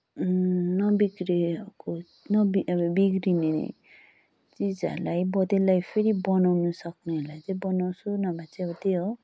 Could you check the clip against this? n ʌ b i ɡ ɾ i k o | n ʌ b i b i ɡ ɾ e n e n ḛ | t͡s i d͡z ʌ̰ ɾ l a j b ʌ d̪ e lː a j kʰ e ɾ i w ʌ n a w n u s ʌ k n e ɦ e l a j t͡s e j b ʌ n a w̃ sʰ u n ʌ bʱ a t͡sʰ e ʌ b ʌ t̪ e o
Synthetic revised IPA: n ʌ b i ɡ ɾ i k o | n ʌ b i b i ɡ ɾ i n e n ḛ | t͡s i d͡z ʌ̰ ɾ l a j b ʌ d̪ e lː a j pʰ e ɾ i b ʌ n a w n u s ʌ k n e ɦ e l a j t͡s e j b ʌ n a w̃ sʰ u n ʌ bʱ a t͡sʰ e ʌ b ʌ t̪ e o

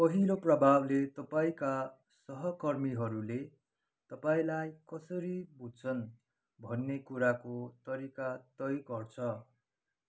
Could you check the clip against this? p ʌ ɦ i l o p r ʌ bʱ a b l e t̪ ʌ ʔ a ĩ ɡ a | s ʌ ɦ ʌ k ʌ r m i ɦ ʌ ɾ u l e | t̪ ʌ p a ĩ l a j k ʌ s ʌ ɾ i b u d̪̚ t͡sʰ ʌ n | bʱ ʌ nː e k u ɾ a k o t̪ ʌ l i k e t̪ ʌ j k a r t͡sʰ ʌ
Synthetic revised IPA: p ʌ ɦ i l o p r ʌ bʱ a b l e t̪ ʌ p a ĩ k a | s ʌ ɦ ʌ k ʌ r m i ɦ ʌ ɾ u l e | t̪ ʌ p a ĩ l a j k ʌ s ʌ ɾ i b u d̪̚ t͡sʰ ʌ n | bʱ ʌ nː e k u ɾ a k o t̪ ʌ ɾ i k a t̪ ʌ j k ʌ r t͡sʰ ʌ

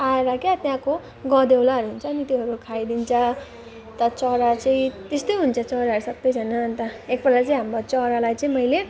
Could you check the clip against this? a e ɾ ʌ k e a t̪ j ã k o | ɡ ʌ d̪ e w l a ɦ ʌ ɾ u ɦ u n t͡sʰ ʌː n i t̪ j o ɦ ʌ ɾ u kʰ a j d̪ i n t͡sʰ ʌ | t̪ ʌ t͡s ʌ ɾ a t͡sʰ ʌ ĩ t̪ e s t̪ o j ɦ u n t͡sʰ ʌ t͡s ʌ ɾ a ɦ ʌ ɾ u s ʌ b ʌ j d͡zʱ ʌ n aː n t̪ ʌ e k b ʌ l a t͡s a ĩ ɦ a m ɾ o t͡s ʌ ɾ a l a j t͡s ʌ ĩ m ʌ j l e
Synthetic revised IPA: a e ɾ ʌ k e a t̪ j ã k o | ɡ ʌ d̪ e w l a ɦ ʌ ɾ u ɦ u n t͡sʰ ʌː n i t̪ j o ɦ ʌ ɾ u kʰ a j d̪ i n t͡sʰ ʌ | t̪ ʌ t͡s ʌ ɾ a t͡s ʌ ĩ t̪ e s t̪ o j ɦ u n t͡sʰ ʌ t͡s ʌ ɾ a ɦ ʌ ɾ u s ʌ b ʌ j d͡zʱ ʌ n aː n t̪ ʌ e k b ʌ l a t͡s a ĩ ɦ a m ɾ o t͡s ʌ ɾ a l a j t͡s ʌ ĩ m ʌ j l e

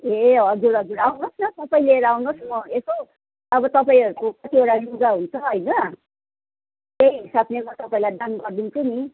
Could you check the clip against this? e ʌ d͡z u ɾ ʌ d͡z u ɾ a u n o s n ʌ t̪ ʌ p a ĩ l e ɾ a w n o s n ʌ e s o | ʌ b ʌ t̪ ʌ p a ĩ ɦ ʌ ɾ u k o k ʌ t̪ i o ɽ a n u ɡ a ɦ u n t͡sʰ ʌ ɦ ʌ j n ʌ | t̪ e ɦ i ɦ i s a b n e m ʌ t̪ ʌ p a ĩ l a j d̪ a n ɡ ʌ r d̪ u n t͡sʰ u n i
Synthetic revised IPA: e ʌ d͡z u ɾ ʌ d͡z u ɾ a w n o s n ʌ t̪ ʌ p a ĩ l e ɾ a w n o s m ʌ e s o | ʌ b ʌ t̪ ʌ p a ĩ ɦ ʌ ɾ u k o k ʌ t̪ i o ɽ a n u ɡ a ɦ u n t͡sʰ ʌ ɦ ʌ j n ʌ | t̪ e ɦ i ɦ i s a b n e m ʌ t̪ ʌ p a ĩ l a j d̪ a n ɡ ʌ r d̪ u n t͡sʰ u n i

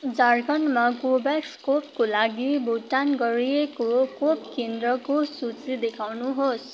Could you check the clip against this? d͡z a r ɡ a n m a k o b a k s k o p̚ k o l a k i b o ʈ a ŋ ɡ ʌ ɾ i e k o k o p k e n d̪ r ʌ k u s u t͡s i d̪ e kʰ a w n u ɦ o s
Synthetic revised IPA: d͡z a r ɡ ʌ n m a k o b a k s k o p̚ k o l a ɡ i b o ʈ a n ɡ ʌ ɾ i e k o k o p k e n d̪ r ʌ k o s u t͡s i d̪ e kʰ a w n u ɦ o s

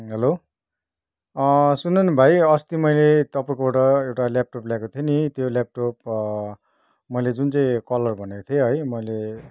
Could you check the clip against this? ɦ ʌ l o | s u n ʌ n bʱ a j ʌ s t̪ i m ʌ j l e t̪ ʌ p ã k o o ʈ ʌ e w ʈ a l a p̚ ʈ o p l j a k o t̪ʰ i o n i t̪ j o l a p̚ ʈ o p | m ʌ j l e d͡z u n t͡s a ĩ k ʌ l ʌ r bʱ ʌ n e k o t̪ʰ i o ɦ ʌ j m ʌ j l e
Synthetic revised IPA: ɦ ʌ l o | s u n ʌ n bʱ a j ʌ s t̪ i m ʌ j l e t̪ ʌ p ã k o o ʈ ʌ e w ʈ a l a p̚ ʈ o p l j a k o t̪ʰ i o n i t̪ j o l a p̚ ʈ o p | m ʌ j l e d͡z u n t͡s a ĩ k ʌ l ʌ r bʱ ʌ n e k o t̪ʰ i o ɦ ʌ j m ʌ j l e

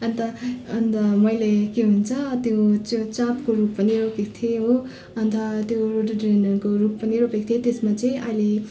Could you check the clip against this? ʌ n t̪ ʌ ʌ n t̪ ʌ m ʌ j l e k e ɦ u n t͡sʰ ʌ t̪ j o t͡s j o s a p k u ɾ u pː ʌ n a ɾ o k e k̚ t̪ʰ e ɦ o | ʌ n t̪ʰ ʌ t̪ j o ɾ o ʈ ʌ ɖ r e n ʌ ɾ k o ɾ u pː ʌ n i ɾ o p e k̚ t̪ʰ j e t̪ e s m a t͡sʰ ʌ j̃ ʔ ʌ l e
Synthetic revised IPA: ʌ n t̪ ʌ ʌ n t̪ ʌ m ʌ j l e k e ɦ u n t͡sʰ ʌ t̪ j o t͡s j o t͡s a p k o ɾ u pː ʌ n i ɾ o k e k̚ t̪ʰ e ɦ o | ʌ n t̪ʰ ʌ t̪ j o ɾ o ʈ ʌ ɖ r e n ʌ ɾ k o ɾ u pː ʌ n i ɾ o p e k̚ t̪ʰ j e t̪ e s m a t͡s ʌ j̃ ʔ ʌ l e

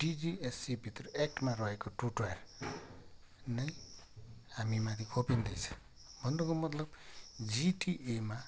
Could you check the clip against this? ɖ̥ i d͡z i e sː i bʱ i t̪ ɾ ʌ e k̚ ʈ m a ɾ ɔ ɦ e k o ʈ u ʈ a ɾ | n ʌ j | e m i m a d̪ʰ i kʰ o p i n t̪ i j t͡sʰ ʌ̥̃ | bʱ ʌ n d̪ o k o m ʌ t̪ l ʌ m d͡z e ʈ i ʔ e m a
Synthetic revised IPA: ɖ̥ i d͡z i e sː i bʱ i t̪ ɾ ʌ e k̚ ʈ m a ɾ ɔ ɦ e k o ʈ u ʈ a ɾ | n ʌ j | a m i m a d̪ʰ i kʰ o p i n d̪ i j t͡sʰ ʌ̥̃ | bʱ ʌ n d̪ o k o m ʌ t̪ l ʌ b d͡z i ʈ i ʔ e m a

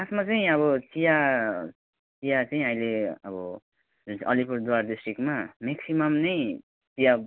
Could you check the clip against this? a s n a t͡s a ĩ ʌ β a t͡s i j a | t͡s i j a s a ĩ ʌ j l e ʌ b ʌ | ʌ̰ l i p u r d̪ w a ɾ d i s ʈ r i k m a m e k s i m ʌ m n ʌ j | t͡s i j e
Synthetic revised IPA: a s m a t͡s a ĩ ʌ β ʌ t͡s i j a | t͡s i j a t͡s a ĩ ʌ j l e ʌ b ʌ | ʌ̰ l i p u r d̪ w a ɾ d i s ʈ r i k m a m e k s i m ʌ m n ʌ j | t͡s i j a

